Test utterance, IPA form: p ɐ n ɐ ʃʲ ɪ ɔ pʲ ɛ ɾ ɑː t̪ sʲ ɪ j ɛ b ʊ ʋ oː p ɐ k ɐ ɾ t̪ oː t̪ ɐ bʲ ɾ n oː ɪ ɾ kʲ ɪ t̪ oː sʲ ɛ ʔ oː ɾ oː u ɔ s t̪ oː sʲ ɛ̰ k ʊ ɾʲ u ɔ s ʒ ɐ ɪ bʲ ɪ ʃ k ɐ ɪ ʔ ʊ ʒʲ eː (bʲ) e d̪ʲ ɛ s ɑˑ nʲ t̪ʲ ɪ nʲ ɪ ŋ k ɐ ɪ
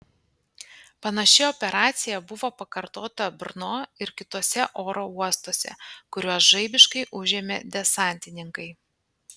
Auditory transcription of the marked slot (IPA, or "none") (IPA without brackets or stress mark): mʲ